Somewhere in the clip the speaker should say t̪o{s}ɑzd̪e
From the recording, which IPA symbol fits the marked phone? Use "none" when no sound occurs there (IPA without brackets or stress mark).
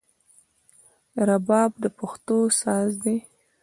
s